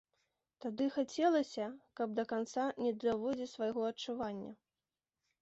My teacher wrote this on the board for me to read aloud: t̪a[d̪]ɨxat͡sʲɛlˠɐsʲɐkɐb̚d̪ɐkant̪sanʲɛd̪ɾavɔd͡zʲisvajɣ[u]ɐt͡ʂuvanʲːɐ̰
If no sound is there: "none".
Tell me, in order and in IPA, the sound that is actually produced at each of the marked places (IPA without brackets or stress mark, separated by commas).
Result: d̪, ɔ